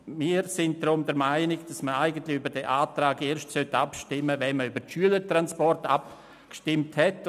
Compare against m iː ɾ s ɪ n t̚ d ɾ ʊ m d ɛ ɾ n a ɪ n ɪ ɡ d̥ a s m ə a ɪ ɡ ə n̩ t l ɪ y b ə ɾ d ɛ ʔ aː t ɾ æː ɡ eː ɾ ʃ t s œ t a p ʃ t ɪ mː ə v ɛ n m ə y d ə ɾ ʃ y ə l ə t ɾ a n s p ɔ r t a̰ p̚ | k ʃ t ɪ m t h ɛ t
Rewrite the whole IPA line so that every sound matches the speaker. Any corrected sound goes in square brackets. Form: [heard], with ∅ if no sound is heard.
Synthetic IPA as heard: m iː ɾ s ɪ n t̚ d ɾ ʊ m d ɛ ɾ [m] a ɪ n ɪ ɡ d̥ a s m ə a ɪ ɡ ə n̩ t l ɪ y b ə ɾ d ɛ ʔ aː t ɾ [aː] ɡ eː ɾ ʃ t s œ t a p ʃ t ɪ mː ə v ɛ n m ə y [b] ə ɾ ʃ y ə l ə t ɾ a n s p ɔ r t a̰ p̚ | k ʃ t ɪ m t h ɛ t